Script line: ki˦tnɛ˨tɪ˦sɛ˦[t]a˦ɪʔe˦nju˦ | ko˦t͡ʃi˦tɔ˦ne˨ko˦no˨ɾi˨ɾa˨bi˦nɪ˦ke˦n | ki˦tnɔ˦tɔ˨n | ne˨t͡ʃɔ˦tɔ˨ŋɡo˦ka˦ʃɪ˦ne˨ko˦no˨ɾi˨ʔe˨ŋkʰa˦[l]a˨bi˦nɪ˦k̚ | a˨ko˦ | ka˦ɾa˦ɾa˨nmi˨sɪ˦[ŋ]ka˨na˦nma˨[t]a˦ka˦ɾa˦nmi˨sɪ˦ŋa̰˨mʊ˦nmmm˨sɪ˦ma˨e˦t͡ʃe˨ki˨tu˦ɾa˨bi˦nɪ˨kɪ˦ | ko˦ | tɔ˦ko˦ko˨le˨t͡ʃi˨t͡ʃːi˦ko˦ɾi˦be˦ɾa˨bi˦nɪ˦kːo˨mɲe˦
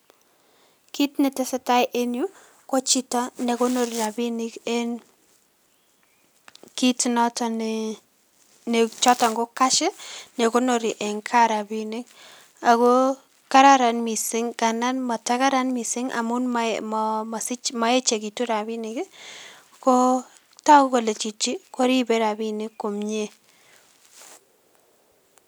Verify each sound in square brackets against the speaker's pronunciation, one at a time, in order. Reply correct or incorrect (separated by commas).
correct, incorrect, correct, correct